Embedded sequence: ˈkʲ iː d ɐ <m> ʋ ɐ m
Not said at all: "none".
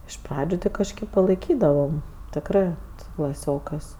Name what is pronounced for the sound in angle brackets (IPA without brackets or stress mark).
none